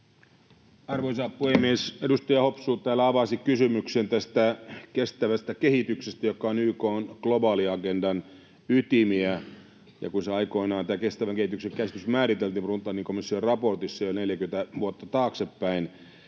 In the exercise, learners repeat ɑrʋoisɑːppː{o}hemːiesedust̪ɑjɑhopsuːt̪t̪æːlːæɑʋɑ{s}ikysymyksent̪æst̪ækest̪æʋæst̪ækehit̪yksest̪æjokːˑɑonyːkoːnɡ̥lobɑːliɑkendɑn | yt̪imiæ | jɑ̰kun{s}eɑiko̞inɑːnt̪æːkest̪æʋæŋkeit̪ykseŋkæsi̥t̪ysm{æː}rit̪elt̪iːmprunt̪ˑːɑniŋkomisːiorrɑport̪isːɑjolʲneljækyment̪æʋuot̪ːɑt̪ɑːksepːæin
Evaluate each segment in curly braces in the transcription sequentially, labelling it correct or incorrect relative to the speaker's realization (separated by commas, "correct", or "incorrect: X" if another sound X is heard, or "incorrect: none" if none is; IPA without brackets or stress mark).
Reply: incorrect: u, correct, correct, correct